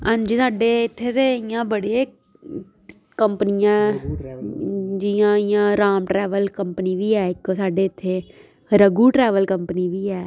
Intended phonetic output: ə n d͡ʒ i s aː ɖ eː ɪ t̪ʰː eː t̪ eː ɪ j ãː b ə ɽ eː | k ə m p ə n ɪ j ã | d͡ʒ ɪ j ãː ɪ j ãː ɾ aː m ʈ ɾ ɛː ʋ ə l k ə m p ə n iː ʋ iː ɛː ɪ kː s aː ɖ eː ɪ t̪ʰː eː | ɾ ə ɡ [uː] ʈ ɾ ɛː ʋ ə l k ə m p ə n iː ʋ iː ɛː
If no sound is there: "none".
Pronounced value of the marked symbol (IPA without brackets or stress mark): uː